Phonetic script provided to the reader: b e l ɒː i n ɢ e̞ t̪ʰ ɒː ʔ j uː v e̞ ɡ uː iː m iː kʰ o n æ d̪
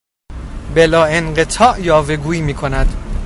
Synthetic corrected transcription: b e l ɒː e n ɢ e̞ t̪ʰ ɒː ʔ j ɒː v e̞ ɡ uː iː m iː kʰ o n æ d̪